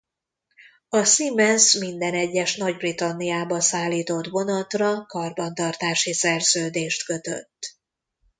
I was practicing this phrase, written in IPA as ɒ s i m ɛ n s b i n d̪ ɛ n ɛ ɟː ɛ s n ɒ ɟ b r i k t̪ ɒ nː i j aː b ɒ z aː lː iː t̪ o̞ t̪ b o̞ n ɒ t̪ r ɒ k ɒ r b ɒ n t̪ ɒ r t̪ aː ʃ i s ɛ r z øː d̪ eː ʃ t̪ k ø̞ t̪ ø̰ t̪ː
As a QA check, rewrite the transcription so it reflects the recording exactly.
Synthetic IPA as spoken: ɒ s i m ɛ n s m i n d̪ ɛ n ɛ ɟː ɛ ʃ n ɒ ɟ b r i t̪ ɒ nː i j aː b ɒ s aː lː iː t̪ o̞ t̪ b o̞ n ɒ t̪ r ɒ k ɒ r b ɒ n t̪ ɒ r t̪ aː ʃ i s ɛ r z øː d̪ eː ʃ t̪ k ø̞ t̪ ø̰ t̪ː